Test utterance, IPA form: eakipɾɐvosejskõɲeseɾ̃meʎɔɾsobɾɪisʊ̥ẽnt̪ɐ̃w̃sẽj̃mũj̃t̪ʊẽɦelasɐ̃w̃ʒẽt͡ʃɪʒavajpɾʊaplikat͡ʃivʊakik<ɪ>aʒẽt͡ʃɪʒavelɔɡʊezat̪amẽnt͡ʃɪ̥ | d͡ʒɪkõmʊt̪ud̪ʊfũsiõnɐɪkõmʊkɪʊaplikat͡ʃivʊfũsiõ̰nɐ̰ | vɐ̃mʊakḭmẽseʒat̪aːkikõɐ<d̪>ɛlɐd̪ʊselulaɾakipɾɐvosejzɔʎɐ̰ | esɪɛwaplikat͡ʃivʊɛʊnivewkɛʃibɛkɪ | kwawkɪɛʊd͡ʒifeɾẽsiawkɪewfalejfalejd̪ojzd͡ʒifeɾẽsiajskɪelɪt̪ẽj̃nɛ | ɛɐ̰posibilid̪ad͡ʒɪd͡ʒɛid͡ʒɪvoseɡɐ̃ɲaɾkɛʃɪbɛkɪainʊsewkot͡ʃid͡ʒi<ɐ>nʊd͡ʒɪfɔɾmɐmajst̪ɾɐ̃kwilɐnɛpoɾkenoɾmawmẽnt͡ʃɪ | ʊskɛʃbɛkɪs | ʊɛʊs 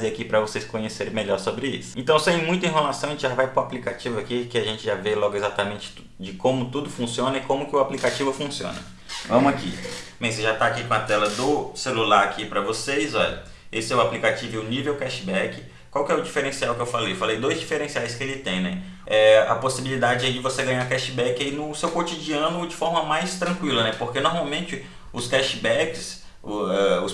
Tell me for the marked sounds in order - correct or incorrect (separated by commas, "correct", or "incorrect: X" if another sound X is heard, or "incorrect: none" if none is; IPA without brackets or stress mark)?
correct, incorrect: t̪, incorrect: ɐ̃